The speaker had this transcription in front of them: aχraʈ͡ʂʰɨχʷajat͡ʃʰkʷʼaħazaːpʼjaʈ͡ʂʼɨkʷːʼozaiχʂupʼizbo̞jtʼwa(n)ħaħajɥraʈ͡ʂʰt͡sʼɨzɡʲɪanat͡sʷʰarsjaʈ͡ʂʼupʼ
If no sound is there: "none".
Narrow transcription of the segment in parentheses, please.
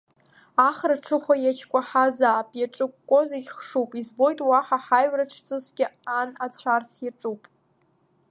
none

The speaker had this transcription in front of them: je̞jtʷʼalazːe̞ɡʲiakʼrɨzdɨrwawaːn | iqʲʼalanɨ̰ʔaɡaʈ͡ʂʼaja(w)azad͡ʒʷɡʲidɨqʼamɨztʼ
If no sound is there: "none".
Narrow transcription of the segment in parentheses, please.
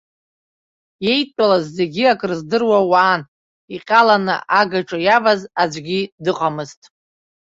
v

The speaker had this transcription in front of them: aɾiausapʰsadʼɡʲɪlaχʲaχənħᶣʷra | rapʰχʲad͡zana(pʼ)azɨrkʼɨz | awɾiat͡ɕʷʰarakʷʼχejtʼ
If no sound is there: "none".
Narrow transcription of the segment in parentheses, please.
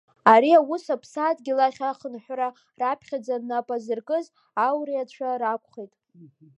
pʼ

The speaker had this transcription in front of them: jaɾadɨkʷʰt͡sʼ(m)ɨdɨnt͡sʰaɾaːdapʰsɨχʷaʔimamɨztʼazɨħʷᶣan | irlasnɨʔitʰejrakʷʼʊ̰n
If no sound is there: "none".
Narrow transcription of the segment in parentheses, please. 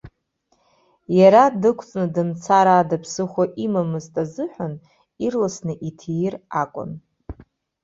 n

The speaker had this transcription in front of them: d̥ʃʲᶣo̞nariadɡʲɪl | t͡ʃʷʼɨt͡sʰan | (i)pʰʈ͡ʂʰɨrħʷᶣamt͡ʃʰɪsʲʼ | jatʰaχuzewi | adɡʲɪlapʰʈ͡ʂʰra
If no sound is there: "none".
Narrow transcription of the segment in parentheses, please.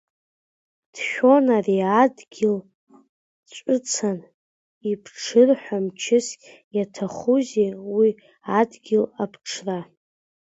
i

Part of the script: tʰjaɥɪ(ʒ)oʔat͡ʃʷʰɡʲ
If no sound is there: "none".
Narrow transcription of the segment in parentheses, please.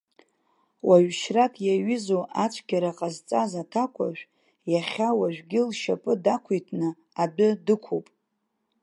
z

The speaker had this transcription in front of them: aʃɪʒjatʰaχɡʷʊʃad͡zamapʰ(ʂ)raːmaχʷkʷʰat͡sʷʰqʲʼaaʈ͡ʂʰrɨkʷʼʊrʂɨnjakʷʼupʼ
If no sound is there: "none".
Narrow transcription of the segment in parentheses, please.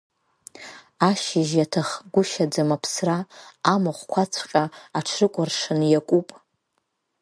s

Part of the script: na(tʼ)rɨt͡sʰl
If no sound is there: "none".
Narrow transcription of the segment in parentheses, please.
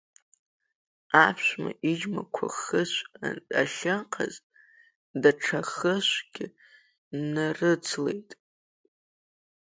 none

